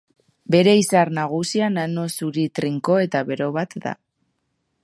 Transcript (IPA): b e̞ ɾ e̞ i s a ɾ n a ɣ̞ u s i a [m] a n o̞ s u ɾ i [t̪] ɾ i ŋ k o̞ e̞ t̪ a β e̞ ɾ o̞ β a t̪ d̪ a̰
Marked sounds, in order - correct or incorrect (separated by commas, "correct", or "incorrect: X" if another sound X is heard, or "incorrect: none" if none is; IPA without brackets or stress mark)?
incorrect: n, correct